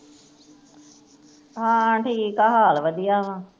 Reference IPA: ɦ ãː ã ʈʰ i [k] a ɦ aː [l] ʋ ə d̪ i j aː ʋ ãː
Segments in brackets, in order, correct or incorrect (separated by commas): correct, correct